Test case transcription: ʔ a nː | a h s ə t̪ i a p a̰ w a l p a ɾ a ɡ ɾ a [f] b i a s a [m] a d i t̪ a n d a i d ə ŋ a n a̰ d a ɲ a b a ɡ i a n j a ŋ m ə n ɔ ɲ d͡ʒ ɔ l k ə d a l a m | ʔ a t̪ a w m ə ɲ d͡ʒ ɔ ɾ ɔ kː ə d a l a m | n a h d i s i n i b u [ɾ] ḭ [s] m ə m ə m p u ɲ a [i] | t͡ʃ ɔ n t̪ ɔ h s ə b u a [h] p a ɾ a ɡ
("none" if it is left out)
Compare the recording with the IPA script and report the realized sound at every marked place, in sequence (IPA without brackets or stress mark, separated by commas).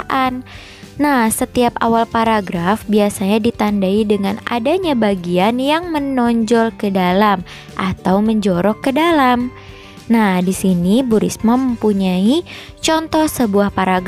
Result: f, ɲ, ɾ, s, i, h